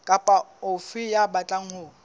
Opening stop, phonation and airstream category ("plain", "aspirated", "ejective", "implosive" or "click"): ejective